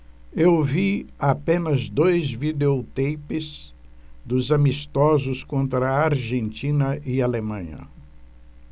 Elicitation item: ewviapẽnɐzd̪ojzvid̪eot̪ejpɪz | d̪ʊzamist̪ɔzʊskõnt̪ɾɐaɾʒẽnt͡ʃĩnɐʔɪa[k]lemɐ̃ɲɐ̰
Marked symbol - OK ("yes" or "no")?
no